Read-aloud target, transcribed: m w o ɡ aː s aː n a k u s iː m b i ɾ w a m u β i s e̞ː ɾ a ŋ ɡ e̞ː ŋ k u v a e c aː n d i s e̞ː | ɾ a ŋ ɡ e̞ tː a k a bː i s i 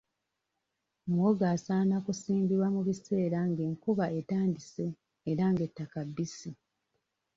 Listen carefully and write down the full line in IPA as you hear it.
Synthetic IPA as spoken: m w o ɡ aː s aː n a k u s iː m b i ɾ w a m u β i s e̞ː ɾ a ŋ ɡ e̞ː ŋ k u β a e t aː n d i s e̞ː | ɾ a ŋ ɡ e̞ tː a k a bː i s i